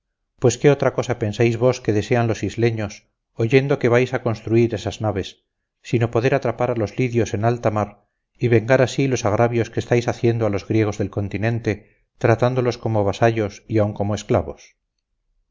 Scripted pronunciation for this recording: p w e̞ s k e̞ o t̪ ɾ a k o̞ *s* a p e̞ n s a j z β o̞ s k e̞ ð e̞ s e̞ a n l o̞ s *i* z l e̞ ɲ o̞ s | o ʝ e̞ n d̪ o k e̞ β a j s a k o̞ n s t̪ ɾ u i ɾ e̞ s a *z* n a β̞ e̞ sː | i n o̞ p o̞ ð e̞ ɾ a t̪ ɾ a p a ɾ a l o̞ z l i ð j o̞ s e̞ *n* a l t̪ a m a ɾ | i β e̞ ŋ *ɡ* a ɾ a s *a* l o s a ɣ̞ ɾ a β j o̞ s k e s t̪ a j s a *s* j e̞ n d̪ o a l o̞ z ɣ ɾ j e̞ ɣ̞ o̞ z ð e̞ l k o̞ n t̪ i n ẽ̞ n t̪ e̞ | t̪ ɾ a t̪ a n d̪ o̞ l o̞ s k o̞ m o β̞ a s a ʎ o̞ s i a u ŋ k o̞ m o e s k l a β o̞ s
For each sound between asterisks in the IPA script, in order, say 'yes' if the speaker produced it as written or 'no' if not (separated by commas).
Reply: yes, yes, yes, yes, yes, no, no